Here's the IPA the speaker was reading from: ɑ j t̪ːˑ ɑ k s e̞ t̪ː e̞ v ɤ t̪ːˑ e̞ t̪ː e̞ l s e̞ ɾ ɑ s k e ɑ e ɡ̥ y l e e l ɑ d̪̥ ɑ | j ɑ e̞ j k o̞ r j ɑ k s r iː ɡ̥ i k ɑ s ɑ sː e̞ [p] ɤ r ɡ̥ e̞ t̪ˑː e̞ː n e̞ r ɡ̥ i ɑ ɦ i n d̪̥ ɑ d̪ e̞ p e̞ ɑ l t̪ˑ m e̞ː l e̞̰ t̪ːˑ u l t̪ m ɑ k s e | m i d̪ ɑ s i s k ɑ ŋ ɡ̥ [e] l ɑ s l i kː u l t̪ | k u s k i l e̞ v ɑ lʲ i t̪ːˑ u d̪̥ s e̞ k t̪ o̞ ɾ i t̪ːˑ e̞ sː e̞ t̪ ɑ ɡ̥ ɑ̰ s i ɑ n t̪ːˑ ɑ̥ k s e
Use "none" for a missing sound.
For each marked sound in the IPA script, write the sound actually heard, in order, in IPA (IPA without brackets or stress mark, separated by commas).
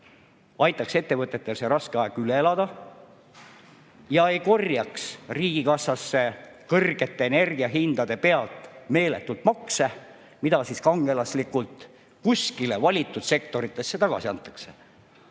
k, e